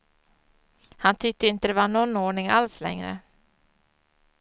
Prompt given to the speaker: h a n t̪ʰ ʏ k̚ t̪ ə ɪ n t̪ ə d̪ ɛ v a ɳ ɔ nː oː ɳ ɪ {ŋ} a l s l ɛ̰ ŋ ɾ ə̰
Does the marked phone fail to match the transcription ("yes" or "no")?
no